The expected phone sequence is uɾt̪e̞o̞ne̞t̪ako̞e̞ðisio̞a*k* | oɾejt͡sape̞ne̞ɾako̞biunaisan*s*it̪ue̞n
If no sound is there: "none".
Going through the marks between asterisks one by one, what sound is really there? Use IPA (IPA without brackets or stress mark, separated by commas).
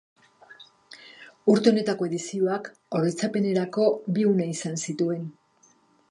k, s